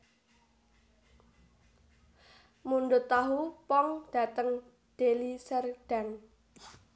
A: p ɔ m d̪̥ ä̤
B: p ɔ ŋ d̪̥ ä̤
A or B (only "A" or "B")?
B